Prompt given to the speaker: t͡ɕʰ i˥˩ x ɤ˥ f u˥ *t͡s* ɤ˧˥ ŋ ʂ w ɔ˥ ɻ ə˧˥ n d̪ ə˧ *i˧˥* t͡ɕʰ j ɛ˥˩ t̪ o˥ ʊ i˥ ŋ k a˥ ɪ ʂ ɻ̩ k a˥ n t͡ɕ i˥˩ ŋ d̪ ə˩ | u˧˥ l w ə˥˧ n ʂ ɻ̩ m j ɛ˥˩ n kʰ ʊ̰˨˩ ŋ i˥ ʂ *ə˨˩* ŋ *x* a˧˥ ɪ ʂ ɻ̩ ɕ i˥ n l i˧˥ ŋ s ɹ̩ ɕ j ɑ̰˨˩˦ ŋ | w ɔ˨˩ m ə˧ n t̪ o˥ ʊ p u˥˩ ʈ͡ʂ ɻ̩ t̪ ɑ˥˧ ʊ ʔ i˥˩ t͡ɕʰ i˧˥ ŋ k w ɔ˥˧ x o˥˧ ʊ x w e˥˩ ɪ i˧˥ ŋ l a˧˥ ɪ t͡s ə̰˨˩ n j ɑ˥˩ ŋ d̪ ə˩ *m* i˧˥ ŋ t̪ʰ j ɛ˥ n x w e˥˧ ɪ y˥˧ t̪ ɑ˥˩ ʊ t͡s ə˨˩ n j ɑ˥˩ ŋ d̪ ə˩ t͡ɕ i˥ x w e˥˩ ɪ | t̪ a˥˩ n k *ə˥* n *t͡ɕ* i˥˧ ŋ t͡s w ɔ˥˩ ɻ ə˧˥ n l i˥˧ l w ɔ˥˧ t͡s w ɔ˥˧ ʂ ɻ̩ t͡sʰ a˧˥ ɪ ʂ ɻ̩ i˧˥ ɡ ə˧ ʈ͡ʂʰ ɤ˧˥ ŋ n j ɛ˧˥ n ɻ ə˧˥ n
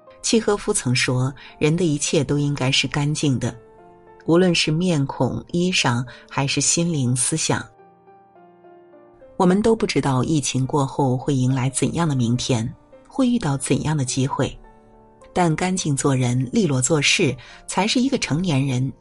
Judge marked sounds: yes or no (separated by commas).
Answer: no, yes, no, yes, yes, no, yes